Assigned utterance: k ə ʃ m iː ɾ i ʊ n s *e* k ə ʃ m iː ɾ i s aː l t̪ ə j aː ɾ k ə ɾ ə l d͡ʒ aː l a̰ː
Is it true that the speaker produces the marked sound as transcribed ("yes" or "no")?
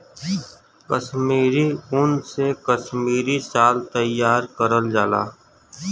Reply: yes